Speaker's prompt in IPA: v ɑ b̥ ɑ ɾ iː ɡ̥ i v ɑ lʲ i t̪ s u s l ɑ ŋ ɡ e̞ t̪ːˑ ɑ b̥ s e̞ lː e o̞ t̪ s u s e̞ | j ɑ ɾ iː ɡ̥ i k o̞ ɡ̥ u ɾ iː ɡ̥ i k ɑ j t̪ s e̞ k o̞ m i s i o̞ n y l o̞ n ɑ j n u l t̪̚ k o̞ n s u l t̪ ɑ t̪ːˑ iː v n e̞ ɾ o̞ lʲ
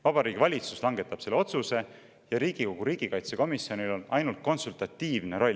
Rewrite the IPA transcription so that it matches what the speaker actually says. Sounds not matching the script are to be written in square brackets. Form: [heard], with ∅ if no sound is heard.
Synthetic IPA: v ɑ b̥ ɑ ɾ iː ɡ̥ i v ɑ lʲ i t̪ s u s l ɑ ŋ ɡ e̞ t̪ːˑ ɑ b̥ s e̞ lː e o̞ t̪ s u s e̞ | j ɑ ɾ iː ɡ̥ i k o̞ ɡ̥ u ɾ iː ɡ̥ i k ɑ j t̪ s e̞ k o̞ m i s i o̞ n [i] l o̞ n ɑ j n u l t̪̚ k o̞ n s u l t̪ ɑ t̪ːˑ iː v n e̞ ɾ o̞ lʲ